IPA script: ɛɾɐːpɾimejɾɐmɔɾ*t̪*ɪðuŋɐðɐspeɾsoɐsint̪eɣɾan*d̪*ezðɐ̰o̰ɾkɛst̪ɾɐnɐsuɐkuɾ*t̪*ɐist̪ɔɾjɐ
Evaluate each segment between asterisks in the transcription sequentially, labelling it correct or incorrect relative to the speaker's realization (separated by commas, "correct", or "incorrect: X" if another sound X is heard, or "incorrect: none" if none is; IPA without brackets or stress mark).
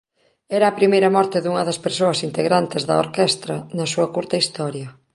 correct, incorrect: t̪, correct